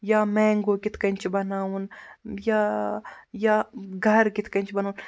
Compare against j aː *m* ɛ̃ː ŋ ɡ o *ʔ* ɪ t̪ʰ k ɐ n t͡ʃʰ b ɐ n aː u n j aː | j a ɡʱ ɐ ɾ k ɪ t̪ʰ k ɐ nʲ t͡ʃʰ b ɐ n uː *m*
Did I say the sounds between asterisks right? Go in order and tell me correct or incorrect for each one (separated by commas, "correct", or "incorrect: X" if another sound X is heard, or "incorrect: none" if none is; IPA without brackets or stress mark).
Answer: correct, incorrect: k, incorrect: n